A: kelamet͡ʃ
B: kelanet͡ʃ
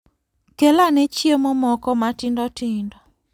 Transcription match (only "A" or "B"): B